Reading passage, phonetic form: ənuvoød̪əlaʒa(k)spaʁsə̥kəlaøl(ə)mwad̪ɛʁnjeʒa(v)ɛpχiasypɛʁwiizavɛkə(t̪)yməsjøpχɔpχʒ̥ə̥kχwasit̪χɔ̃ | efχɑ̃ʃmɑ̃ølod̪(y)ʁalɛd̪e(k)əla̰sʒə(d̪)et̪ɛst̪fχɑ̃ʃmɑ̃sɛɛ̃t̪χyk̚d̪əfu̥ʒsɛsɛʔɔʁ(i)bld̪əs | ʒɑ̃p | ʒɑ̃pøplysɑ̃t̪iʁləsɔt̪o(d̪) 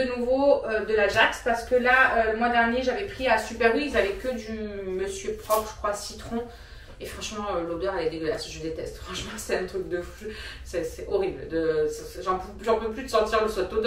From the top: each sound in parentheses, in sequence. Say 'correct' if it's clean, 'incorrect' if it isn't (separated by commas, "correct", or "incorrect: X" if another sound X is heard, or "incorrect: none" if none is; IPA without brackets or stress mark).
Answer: correct, correct, correct, incorrect: d̪, incorrect: œ, incorrect: ɡ, correct, correct, correct